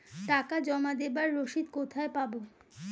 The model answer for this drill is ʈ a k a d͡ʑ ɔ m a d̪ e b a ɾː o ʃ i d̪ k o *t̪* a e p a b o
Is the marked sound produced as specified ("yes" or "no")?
no